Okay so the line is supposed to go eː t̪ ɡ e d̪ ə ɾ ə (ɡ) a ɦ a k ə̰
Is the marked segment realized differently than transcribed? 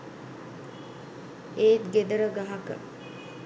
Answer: no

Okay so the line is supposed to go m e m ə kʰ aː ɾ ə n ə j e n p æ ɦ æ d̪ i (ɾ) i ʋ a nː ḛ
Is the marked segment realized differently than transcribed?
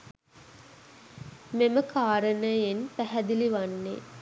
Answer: yes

